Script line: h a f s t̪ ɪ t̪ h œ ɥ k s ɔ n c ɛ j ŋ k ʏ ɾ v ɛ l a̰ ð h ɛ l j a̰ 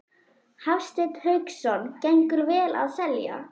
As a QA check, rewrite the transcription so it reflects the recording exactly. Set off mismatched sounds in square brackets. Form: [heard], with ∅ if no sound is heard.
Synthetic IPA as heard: h a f s t̪ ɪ t̪ h œ ɥ k s ɔ n c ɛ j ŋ k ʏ ɾ v [ɛː] l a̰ ð [s] ɛ l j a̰